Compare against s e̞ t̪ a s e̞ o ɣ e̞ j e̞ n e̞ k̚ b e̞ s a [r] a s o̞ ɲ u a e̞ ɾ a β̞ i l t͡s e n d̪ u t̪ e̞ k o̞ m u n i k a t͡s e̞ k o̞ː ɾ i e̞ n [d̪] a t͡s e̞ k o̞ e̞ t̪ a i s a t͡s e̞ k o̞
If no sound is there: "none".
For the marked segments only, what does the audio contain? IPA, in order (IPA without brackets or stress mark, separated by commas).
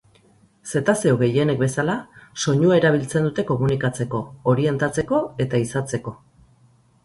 l, t̪